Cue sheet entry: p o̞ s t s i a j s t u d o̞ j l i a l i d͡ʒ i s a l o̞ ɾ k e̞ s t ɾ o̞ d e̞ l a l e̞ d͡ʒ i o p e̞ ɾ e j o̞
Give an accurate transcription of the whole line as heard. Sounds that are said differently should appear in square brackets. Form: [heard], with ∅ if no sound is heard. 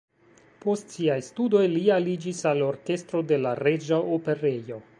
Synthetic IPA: p o̞ s t s i a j s t u d o̞ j l i a l i d͡ʒ i s a l o̞ ɾ k e̞ s t ɾ o̞ d e̞ l a [ɾ] e̞ d͡ʒ [a] o p e̞ ɾ e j o̞